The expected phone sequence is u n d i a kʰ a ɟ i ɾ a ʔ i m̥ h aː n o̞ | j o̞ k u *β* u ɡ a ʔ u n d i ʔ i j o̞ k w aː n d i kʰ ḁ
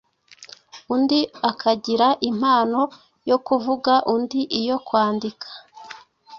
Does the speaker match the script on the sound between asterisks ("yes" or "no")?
no